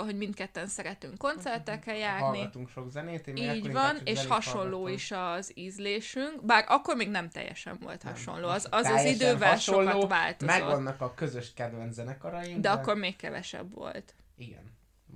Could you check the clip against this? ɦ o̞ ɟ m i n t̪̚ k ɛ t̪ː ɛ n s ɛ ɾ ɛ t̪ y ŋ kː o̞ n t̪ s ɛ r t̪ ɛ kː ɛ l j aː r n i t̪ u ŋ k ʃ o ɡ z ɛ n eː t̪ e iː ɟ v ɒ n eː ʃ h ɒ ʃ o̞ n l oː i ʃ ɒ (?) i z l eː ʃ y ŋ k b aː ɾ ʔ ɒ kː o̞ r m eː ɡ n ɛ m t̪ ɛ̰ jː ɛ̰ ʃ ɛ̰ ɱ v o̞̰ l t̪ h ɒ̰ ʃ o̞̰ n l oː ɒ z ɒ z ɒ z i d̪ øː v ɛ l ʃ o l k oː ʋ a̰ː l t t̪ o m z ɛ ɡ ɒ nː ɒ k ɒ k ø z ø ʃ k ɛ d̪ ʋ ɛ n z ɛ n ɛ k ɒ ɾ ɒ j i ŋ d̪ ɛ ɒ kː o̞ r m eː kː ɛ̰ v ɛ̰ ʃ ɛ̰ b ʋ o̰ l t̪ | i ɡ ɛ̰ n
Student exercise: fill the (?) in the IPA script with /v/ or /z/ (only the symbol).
z